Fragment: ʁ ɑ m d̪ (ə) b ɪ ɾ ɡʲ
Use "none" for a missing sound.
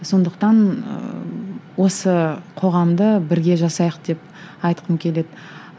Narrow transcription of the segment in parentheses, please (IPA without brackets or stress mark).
ə